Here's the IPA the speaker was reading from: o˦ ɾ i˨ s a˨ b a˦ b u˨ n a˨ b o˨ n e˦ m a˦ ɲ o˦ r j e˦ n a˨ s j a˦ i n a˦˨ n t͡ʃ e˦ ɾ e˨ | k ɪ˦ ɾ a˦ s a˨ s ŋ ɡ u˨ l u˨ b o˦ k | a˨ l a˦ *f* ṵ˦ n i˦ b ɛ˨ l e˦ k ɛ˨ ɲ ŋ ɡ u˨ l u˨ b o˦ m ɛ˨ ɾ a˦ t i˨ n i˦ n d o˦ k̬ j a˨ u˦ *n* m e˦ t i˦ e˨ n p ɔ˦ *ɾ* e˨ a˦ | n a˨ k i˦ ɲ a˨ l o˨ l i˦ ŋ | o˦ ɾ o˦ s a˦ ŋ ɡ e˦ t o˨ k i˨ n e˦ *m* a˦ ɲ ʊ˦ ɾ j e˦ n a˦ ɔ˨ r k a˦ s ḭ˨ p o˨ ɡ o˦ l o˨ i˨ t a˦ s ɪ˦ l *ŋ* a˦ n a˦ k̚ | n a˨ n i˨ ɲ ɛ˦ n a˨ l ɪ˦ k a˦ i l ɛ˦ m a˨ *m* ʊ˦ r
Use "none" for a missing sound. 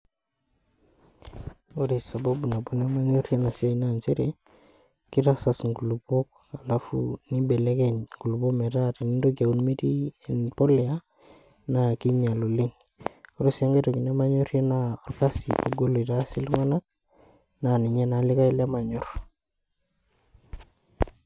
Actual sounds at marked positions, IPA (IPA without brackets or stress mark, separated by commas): f, n, l, m, ŋ, ɲ